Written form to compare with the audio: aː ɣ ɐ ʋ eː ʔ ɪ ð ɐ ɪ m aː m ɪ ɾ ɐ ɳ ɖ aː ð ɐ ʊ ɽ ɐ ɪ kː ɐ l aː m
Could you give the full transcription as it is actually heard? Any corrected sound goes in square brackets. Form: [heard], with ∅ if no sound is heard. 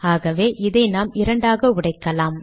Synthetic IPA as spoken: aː ɣ ɐ ʋ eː ʔ ɪ ð ɐ ɪ [n] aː m ɪ ɾ ɐ ɳ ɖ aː [ɣ] ɐ ʊ ɽ ɐ ɪ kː ɐ l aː m